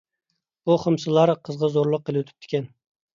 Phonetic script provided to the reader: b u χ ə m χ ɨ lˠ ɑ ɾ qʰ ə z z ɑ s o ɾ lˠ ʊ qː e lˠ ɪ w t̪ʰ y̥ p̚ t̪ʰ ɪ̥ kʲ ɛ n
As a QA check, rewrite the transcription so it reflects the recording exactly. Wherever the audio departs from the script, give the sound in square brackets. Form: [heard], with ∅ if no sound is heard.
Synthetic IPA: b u χ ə m [s] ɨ lˠ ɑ ɾ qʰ ə z [ʁ] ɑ [z] o ɾ lˠ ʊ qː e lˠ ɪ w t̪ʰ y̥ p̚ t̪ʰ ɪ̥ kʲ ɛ n

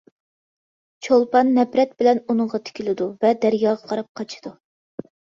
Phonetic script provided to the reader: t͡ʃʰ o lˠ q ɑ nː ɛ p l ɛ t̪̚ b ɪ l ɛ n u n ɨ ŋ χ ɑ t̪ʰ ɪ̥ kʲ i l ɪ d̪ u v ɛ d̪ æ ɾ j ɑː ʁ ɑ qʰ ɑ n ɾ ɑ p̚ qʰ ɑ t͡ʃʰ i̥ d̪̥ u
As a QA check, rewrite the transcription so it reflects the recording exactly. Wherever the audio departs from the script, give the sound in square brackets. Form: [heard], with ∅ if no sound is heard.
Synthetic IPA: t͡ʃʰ o lˠ [p] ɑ nː ɛ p [ɾ] ɛ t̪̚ b ɪ l ɛ n u n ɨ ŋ [ʁ] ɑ t̪ʰ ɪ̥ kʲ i l ɪ d̪ u v ɛ d̪ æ ɾ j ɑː ʁ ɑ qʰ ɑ [∅] ɾ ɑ p̚ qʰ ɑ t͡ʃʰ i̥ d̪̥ u

